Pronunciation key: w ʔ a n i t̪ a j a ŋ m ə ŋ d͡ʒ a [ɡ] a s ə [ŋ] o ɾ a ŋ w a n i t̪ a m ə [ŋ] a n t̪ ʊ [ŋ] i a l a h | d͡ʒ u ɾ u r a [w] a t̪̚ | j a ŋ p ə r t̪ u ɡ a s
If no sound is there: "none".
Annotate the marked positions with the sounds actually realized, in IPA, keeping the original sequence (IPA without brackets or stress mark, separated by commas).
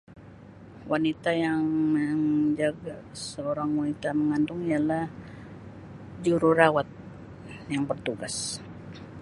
ɡ, none, ŋ, ŋ, w